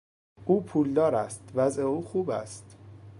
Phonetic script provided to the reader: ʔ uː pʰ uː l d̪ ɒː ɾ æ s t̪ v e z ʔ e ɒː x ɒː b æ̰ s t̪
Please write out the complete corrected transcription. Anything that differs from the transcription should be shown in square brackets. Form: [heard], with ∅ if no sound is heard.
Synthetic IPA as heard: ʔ uː pʰ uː l d̪ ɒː ɾ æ s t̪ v [æ] z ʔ e [uː] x [uː] b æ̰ s t̪